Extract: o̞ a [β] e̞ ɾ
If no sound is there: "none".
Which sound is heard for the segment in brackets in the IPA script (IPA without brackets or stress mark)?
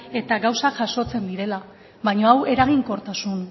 w